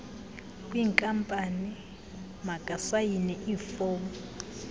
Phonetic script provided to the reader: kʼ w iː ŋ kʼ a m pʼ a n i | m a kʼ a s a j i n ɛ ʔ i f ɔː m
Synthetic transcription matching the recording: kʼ w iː ŋ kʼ a m pʼ a n i | m a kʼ a s a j i n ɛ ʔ i f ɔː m